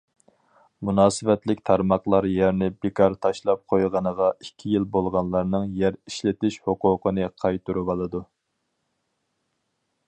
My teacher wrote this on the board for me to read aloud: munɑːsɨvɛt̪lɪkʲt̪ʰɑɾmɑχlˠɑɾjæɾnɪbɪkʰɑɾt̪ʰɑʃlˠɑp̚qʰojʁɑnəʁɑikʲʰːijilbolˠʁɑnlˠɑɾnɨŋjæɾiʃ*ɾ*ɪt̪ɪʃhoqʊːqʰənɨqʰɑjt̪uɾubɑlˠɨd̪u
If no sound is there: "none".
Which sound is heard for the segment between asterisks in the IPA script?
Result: l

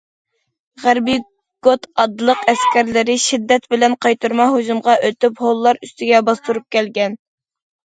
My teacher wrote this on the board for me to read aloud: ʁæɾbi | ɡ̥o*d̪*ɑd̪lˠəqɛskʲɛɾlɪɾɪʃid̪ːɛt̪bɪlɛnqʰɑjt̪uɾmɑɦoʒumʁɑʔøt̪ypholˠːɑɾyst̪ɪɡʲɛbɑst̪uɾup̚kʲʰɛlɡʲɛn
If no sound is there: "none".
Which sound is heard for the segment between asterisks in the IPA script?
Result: t̪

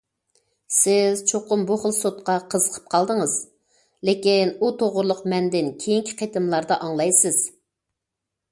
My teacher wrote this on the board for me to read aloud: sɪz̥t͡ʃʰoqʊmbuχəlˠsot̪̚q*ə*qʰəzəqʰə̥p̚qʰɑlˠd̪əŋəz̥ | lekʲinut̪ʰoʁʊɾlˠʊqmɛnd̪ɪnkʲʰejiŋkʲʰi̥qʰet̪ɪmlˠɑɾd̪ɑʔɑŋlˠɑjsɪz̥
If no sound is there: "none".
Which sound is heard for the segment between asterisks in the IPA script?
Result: ɑ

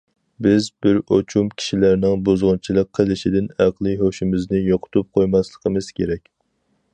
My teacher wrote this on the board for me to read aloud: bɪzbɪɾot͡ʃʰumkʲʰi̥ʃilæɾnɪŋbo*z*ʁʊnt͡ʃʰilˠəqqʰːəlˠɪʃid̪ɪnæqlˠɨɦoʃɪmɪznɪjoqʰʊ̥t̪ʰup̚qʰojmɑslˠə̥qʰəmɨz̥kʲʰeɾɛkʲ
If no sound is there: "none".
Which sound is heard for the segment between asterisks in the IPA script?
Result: z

